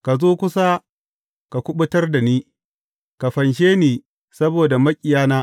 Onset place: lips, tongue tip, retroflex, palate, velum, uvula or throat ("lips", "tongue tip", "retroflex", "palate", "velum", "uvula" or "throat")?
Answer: velum